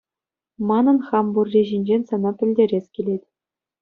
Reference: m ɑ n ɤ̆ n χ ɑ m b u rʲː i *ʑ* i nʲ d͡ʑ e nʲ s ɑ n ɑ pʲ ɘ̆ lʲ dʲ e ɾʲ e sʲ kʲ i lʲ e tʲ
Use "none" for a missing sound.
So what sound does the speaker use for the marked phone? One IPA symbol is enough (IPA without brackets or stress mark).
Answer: ʑ